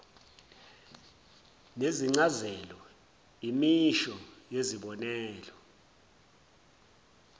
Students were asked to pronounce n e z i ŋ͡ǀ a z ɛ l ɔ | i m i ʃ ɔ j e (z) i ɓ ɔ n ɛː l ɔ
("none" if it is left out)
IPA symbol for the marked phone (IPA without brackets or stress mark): z